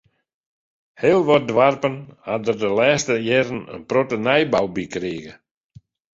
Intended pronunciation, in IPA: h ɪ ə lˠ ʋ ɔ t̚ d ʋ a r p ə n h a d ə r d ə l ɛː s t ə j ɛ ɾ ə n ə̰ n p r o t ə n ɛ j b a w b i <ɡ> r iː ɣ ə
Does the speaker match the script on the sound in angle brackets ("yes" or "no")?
no